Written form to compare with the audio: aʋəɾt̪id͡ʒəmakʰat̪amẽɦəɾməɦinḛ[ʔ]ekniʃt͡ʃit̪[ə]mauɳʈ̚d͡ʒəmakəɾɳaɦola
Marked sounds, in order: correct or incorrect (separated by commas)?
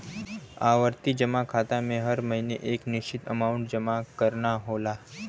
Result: correct, correct